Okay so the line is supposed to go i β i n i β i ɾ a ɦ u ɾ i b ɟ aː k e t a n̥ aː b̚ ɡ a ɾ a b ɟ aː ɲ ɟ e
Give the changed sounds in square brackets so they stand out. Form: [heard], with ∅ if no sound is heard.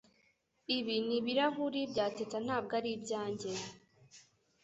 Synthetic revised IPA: i β i n i β i ɾ a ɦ u ɾ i b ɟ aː [t] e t a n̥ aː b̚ ɡ a ɾ [i] b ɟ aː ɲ ɟ e